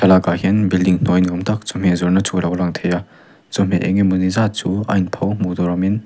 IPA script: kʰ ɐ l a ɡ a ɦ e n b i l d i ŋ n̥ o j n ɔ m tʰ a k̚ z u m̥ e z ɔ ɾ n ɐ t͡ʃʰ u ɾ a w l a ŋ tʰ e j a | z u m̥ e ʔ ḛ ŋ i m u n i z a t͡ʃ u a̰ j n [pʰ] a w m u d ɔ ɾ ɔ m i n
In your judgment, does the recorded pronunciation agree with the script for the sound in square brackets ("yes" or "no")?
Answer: yes